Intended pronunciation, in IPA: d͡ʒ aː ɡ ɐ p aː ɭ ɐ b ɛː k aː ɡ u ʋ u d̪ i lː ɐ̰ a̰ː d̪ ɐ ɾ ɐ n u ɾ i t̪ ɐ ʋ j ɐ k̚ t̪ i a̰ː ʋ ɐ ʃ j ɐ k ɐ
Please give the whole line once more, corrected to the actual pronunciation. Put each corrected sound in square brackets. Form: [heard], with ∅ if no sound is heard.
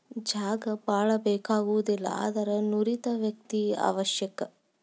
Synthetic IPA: d͡ʒ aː ɡ ɐ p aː ɭ ɐ b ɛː k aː ɡ u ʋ u d̪ i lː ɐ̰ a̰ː d̪ ɐ ɾ ɐ n u ɾ i t̪ ɐ ʋ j ɐ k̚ t̪ i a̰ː ʋ ɐ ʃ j ɐ k ɐ

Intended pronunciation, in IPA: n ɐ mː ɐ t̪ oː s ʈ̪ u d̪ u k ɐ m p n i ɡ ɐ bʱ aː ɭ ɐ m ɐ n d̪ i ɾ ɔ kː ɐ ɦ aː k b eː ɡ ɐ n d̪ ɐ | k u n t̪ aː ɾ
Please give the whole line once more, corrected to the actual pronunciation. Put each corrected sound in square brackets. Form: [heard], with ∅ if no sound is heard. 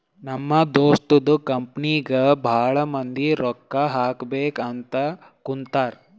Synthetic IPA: n ɐ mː ɐ [d̪] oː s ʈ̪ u d̪ u k ɐ m p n i ɡ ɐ bʱ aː ɭ ɐ m ɐ n d̪ i ɾ ɔ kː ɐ ɦ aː k b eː [k] ɐ n [t̪] ɐ | k u n t̪ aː ɾ

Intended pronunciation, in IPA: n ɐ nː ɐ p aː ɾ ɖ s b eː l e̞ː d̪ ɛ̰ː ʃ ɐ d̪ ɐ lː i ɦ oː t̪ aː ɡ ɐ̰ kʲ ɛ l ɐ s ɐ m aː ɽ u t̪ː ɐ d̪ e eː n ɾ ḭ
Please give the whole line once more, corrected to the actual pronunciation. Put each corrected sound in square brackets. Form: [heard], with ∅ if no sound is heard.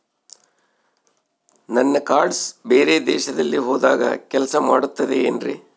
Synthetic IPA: n ɐ nː ɐ [k] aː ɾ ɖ s b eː [ɾ] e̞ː d̪ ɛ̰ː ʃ ɐ d̪ ɐ lː i ɦ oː [d̪] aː ɡ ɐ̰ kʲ ɛ l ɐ s ɐ m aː ɽ u t̪ː ɐ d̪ e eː n ɾ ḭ

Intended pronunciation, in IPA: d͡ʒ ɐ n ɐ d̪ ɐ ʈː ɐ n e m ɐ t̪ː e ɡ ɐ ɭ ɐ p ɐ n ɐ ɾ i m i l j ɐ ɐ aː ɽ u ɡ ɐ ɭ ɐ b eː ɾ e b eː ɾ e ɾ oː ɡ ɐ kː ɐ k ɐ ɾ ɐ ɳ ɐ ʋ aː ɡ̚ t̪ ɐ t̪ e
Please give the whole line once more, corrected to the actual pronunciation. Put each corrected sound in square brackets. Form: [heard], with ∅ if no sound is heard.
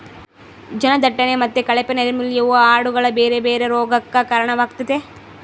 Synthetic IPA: d͡ʒ ɐ n ɐ d̪ ɐ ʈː ɐ n e m ɐ t̪ː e [k] ɐ ɭ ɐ p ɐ n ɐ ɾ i m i l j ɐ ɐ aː ɽ u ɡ ɐ ɭ ɐ b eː ɾ e b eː ɾ e ɾ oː ɡ ɐ kː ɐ k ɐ ɾ ɐ ɳ ɐ ʋ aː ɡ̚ t̪ ɐ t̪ e

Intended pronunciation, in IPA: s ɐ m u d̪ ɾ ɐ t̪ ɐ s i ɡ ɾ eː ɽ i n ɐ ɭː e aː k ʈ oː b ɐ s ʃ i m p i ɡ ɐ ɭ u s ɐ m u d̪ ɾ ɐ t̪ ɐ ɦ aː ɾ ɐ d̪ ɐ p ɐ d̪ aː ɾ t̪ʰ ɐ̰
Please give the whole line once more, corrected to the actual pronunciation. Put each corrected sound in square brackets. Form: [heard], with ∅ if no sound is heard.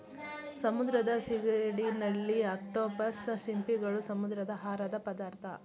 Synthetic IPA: s ɐ m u d̪ ɾ ɐ [d̪] ɐ s i ɡ ɾ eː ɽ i n ɐ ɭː [i] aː k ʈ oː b ɐ s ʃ i m p i ɡ ɐ ɭ u s ɐ m u d̪ ɾ ɐ [d̪] ɐ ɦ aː ɾ ɐ d̪ ɐ p ɐ d̪ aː ɾ t̪ʰ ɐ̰

